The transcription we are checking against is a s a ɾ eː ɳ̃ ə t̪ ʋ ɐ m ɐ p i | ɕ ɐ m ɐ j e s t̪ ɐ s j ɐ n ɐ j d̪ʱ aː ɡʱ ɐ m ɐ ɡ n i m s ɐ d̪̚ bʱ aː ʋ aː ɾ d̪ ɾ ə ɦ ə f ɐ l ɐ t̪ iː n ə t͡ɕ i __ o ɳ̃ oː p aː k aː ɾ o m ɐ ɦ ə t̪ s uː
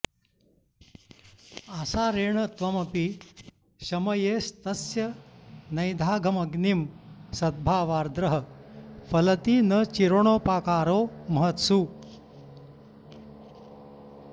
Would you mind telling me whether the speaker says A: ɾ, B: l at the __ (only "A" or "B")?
A